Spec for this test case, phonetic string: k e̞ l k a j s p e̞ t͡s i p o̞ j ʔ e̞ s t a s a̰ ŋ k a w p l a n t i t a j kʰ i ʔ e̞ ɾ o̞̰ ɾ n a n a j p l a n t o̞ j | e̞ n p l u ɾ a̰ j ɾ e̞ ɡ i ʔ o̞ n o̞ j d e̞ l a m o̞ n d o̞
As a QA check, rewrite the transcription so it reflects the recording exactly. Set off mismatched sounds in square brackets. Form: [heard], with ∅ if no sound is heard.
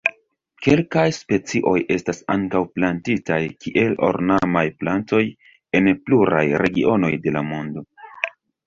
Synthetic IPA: k e̞ l k a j s p e̞ t͡s i [ʔ] o̞ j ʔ e̞ s t a s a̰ ŋ k a w p l a n t i t a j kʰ i ʔ e̞ [l] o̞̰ ɾ n a [m] a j p l a n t o̞ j | e̞ n p l u ɾ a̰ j ɾ e̞ ɡ i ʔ o̞ n o̞ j d e̞ l a m o̞ n d o̞

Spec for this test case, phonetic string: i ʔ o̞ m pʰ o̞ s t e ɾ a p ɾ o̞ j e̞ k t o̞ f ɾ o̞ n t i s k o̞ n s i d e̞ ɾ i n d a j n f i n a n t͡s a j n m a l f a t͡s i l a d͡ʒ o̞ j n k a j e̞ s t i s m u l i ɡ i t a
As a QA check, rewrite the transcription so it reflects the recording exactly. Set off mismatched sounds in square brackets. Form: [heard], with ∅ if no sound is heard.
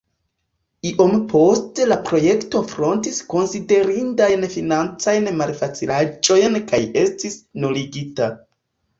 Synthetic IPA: i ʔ o̞ m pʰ o̞ s t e [l] a p ɾ o̞ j e̞ k t o̞ f ɾ o̞ n t i s k o̞ n s i d e̞ ɾ i n d a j n f i n a n t͡s a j n m a l f a t͡s i l a d͡ʒ o̞ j n k a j e̞ s t i s [n] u l i ɡ i t a

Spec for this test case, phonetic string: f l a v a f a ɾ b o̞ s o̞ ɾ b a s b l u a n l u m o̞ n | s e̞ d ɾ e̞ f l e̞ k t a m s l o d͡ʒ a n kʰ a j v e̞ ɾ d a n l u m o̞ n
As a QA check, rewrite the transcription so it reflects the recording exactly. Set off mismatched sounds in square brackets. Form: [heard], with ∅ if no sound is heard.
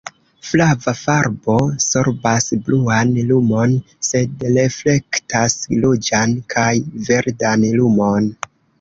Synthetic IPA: f l a v a f a ɾ b o̞ s o̞ ɾ b a s b l u a n l u m o̞ n | s e̞ d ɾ e̞ f l e̞ k t a [∅] s l o d͡ʒ a n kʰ a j v e̞ ɾ d a n l u m o̞ n

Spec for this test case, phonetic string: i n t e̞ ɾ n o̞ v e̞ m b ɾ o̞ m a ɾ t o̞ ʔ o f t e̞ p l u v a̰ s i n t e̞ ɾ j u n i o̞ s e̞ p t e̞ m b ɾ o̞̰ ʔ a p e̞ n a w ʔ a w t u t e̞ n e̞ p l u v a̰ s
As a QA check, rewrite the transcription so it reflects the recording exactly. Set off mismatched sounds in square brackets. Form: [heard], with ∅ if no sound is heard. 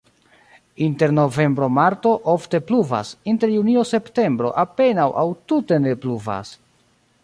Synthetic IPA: i n t e̞ ɾ n o̞ v e̞ m b ɾ o̞ m a ɾ t o̞ ʔ o f t e̞ p l u v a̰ s i n t e̞ ɾ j u n i o̞ s e̞ p t e̞ m b ɾ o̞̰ ʔ a p e̞ n a w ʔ a w t u t e̞ n e̞ p l u v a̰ s

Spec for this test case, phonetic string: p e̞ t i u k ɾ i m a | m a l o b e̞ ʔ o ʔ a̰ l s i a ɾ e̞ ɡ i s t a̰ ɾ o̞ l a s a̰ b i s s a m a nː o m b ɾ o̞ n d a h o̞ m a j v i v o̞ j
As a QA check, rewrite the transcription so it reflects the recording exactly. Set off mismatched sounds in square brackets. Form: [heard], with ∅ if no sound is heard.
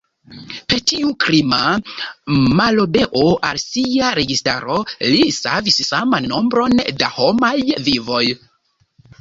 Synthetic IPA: p e̞ t i u k ɾ i m a | m a l o b e̞ ʔ o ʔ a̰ l s i a ɾ e̞ ɡ i s t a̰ ɾ o̞ l [i] s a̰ [v] i s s a m a nː o m b ɾ o̞ n d a h o̞ m a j v i v o̞ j

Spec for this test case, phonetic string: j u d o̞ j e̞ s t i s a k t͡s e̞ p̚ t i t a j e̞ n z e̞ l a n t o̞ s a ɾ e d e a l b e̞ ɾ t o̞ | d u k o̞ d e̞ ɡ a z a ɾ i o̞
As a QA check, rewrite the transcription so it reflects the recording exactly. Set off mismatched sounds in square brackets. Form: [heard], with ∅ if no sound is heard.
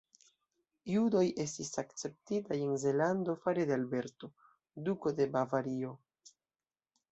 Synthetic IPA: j u d o̞ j e̞ s t i s a k t͡s e̞ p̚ t i t a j e̞ n z e̞ l a n [d] o̞ [f] a ɾ e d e a l b e̞ ɾ t o̞ | d u k o̞ d e̞ [b] a [v] a ɾ i o̞

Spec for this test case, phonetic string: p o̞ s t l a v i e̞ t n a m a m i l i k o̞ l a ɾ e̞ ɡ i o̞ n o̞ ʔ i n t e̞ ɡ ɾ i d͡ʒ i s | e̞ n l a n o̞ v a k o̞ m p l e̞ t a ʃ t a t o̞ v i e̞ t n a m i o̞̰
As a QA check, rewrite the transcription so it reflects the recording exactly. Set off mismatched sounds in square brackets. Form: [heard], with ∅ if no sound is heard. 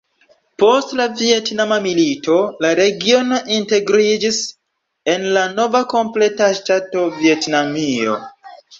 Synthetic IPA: p o̞ s t l a v i e̞ t n a m a m i l i [t] o̞ l a ɾ e̞ ɡ i o̞ n o̞ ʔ i n t e̞ ɡ ɾ i d͡ʒ i s | e̞ n l a n o̞ v a k o̞ m p l e̞ t a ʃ t a t o̞ v i e̞ t n a m i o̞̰

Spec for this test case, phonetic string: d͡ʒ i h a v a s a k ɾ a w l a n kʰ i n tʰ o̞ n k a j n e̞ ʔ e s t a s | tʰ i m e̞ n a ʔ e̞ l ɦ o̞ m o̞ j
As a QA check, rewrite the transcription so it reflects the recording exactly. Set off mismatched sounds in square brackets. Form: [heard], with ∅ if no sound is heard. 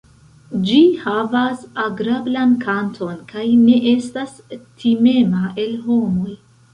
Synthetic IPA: d͡ʒ i h a v a s a [ɡ] ɾ a [b] l a n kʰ [a] n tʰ o̞ n k a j n e̞ ʔ e s t a s | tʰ i m e̞ [m] a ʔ e̞ l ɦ o̞ m o̞ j

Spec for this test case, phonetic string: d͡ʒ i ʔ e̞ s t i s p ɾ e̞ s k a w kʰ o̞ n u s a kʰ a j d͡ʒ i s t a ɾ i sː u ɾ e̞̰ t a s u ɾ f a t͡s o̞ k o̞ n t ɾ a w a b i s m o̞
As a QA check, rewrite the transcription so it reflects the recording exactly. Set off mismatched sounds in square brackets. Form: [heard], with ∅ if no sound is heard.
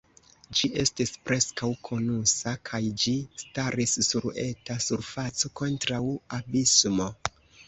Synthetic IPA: d͡ʒ i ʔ e̞ s t i s p ɾ e̞ s k a w kʰ o̞ n u s a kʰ a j d͡ʒ i s t a ɾ i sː u ɾ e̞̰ t a s u ɾ f a t͡s o̞ k o̞ n t ɾ a w a b i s m o̞

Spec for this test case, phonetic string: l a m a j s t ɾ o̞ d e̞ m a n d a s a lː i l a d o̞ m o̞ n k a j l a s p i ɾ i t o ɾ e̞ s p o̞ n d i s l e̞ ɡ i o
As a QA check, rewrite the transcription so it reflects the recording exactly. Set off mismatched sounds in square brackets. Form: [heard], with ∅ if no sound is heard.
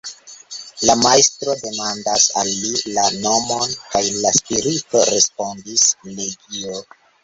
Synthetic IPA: l a m a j s t ɾ o̞ d e̞ m a n d a s a lː i l a [n] o̞ m o̞ n k a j l a s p i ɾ i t o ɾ e̞ s p o̞ n d i s l e̞ ɡ i o

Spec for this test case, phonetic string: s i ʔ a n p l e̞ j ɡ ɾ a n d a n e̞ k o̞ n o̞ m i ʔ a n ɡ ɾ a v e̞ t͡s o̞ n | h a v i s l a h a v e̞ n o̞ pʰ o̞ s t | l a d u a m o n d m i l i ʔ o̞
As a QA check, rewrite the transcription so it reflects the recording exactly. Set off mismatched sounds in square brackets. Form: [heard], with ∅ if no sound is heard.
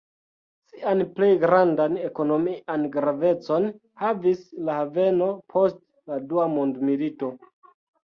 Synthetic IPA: s i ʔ a n p l e̞ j ɡ ɾ a n d a n e̞ k o̞ n o̞ m i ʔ a n ɡ ɾ a v e̞ t͡s o̞ n | h a v i s l a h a v e̞ n o̞ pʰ o̞ s t | l a d u a m o n d m i l i [t] o̞

